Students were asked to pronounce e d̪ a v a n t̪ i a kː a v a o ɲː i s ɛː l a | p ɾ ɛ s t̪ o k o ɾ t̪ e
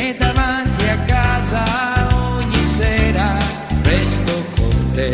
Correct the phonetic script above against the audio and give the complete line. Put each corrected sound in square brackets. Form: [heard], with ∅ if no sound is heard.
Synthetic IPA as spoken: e d̪ a v a n t̪ i a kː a [z] a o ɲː i s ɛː [ɾ] a | p ɾ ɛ s t̪ o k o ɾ t̪ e